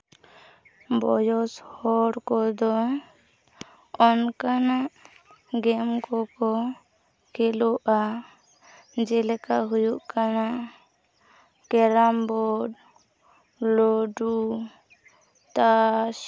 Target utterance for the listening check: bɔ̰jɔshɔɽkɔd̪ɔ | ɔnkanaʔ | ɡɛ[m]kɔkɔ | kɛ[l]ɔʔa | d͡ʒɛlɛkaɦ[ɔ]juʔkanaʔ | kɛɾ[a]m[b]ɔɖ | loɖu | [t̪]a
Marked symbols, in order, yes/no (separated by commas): yes, yes, no, yes, yes, yes